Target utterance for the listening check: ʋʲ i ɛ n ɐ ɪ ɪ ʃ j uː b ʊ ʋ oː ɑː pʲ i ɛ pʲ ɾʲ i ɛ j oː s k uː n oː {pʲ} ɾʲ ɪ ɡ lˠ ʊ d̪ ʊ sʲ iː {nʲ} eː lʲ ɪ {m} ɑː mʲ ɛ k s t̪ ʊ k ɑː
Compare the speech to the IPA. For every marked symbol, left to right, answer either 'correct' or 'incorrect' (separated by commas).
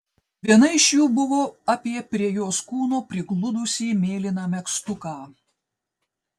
correct, incorrect, incorrect